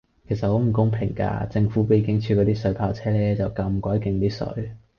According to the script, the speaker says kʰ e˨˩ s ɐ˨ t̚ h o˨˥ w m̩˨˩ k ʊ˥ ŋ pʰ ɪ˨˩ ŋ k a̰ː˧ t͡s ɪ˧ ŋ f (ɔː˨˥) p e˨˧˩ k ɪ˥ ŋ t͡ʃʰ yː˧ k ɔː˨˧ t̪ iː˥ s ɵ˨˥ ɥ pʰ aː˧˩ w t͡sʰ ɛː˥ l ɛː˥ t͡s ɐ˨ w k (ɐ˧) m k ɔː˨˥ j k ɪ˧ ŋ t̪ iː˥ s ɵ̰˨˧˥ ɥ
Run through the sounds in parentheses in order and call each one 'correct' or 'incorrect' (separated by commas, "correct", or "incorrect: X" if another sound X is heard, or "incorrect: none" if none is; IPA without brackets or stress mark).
incorrect: uː˨˥, correct